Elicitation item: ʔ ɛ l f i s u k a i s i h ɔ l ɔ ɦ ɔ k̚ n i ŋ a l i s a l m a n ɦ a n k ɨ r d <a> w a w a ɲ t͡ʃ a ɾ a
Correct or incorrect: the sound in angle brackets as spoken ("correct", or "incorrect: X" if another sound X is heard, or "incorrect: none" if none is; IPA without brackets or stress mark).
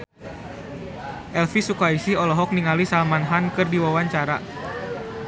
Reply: incorrect: i